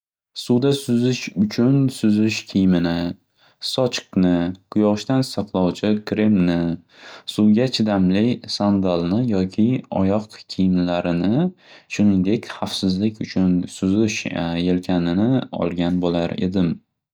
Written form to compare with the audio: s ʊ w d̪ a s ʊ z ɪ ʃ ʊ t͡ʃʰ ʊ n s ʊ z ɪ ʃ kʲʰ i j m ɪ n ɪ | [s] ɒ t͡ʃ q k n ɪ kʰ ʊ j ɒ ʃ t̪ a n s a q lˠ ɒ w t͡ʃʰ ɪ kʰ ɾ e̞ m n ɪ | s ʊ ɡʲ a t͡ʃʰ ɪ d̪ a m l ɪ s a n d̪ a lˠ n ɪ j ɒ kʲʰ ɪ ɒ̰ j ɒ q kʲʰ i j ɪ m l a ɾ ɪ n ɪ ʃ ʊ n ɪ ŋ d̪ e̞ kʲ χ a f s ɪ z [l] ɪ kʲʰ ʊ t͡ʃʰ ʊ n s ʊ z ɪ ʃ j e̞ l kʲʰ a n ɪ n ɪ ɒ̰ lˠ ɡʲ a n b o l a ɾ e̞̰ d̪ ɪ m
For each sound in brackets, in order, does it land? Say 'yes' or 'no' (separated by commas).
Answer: yes, yes